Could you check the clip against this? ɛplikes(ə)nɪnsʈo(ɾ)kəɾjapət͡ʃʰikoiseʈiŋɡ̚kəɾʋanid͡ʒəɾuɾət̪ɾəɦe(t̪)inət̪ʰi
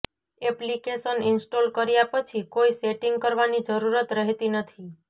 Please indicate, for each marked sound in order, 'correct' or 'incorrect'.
correct, incorrect, correct

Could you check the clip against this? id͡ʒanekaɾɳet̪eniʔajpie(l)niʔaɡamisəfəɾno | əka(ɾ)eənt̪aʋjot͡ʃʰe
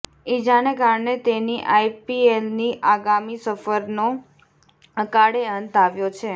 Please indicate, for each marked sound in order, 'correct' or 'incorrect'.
correct, incorrect

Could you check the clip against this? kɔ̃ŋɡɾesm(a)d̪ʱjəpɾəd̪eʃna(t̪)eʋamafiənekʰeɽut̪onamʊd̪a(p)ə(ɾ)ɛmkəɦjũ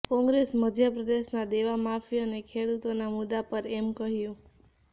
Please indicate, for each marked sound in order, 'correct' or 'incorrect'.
incorrect, incorrect, correct, correct

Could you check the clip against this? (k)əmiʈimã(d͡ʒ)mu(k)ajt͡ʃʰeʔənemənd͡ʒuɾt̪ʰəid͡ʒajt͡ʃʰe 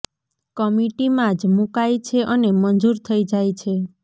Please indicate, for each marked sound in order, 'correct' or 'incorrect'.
correct, correct, correct

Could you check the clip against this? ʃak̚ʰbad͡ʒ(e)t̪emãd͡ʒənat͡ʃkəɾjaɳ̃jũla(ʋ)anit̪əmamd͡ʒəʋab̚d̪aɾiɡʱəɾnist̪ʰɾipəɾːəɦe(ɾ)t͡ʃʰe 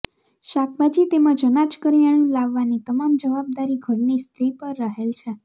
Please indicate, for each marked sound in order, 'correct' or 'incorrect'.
incorrect, incorrect, incorrect

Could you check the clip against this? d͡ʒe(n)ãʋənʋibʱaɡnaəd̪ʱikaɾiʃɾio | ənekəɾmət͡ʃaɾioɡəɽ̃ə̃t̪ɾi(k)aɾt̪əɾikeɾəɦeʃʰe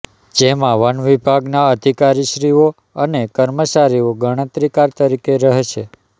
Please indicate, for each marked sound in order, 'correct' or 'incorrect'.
incorrect, correct

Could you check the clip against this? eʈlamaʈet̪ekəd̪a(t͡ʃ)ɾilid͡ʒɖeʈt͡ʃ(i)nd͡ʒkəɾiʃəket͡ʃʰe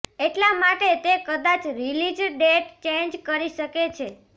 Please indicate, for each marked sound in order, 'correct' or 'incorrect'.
correct, incorrect

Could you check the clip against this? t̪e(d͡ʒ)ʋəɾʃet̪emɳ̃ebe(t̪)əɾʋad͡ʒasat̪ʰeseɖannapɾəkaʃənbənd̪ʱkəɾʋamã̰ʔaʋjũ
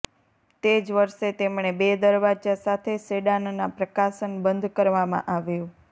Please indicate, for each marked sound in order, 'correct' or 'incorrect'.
correct, incorrect

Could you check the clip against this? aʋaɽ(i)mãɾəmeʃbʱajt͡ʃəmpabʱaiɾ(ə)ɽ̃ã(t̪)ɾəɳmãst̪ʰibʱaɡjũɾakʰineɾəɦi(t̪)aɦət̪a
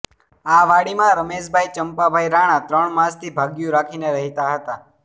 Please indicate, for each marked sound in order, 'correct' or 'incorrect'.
correct, incorrect, correct, correct

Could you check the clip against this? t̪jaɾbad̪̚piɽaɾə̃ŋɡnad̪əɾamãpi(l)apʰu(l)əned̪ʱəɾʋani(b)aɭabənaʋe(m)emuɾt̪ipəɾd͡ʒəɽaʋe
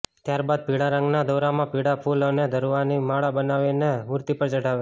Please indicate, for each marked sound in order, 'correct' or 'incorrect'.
incorrect, correct, incorrect, incorrect

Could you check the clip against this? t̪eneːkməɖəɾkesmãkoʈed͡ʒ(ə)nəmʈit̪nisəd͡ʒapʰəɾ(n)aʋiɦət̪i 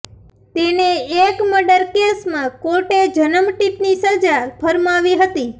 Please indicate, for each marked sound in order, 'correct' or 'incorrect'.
correct, incorrect

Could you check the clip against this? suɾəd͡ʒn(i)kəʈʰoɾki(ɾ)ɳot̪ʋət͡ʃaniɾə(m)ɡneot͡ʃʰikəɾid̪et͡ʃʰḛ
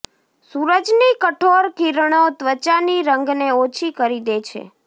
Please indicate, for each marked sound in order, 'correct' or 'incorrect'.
correct, correct, incorrect

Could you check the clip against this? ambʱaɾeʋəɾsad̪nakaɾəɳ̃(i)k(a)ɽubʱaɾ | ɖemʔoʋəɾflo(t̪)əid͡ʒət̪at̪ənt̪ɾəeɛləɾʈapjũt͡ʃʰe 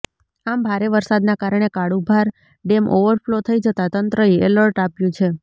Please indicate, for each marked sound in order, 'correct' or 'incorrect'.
incorrect, correct, incorrect

